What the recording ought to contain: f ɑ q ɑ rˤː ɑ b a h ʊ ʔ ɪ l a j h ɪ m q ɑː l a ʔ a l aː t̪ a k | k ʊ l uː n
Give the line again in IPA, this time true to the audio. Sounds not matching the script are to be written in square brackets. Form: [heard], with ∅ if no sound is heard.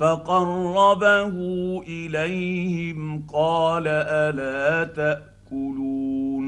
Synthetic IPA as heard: f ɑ q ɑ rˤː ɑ b a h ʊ ʔ ɪ l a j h ɪ m q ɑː l a ʔ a l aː t̪ a [ʔ] | k ʊ l uː n